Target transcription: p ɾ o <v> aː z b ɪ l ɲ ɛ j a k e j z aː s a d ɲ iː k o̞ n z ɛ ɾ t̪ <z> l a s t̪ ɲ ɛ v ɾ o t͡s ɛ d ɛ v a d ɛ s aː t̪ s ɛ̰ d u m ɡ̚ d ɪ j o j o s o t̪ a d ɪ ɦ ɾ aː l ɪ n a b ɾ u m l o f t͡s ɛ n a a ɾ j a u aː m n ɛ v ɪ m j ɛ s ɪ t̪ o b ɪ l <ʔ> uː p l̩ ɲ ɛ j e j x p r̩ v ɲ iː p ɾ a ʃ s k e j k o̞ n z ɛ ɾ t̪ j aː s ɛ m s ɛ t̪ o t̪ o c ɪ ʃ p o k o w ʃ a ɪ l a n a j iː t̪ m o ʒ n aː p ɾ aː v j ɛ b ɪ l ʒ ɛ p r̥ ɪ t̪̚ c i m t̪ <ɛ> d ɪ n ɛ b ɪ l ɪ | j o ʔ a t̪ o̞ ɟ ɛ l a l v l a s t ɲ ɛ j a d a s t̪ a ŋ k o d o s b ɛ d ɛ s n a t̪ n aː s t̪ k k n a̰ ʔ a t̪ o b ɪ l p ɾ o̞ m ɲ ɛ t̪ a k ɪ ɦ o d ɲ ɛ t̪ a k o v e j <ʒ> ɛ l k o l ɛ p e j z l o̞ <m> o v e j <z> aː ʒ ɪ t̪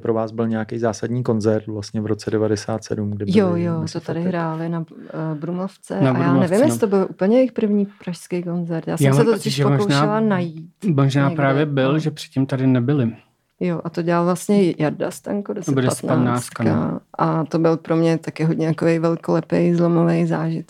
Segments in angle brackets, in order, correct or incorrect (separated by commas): correct, incorrect, correct, incorrect, incorrect, correct, correct